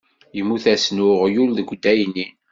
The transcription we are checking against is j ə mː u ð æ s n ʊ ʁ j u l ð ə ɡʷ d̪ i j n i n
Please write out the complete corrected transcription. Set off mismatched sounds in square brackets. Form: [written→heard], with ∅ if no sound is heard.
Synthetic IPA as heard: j ə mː u [ð→θ] æ s n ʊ ʁ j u l ð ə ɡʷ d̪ [i→æ] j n i n